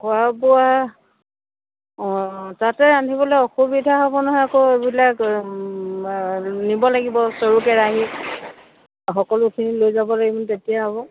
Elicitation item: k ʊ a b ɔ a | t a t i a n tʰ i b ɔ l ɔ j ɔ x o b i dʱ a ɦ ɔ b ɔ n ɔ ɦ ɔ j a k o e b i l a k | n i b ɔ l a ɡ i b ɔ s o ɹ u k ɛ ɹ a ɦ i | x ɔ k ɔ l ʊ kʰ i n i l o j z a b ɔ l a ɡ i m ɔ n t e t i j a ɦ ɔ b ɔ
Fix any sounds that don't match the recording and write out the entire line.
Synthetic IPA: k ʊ a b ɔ a | t a t ɛ a n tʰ i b ɔ l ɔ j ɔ x u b i dʱ a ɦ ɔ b ɔ n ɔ ɦ ɔ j a k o e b i l a k | n i b ɔ l a ɡ i b ɔ s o ɹ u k ɛ ɹ a ɦ i | x ɔ k ɔ l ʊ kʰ i n i l o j z a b ɔ l a ɡ i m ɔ n t e t i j a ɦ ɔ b ɔ